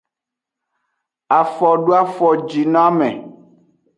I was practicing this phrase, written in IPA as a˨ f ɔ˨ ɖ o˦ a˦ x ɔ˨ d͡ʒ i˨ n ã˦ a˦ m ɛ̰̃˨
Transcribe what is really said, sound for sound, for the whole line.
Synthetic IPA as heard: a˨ f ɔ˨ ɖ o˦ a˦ f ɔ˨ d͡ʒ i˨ n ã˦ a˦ m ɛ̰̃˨